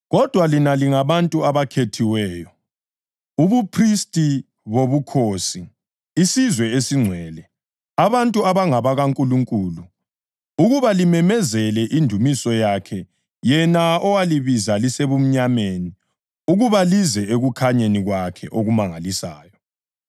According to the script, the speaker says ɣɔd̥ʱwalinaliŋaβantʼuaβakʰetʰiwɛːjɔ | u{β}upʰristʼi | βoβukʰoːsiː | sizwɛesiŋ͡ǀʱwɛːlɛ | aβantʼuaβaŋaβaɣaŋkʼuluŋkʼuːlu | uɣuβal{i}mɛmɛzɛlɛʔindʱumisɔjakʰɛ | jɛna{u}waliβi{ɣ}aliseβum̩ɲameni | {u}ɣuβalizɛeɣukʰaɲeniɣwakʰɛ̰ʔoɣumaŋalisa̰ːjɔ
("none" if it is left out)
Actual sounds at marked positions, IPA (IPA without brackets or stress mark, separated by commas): β, i, ɔ, z, u